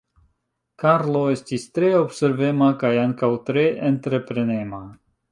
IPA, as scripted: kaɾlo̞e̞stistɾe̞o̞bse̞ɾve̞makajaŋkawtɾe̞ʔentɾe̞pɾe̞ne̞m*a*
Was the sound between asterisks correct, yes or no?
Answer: yes